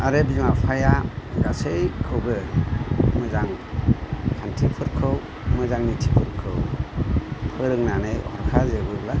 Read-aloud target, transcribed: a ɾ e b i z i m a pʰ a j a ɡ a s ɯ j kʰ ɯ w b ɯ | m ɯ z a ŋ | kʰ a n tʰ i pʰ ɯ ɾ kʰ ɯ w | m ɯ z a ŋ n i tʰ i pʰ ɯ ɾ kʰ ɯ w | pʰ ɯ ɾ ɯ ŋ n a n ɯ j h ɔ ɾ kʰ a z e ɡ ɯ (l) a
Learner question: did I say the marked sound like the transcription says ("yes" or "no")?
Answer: yes